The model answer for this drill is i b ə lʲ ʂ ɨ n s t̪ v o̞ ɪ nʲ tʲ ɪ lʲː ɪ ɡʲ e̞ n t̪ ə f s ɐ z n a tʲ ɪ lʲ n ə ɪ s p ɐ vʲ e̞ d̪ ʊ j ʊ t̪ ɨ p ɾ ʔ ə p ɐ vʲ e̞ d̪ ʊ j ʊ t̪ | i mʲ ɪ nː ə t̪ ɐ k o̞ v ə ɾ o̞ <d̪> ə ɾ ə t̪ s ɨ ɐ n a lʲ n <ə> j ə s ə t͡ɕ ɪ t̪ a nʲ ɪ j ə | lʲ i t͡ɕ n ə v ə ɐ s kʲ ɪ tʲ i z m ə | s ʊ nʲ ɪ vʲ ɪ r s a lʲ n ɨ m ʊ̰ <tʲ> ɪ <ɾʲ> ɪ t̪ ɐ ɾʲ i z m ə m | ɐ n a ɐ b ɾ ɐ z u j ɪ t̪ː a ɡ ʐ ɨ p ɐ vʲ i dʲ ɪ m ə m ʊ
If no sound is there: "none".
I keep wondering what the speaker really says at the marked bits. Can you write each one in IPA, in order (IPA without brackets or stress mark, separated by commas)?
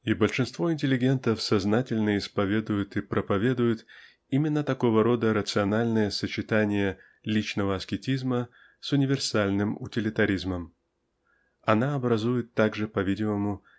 d̪, ə, tʲ, lʲ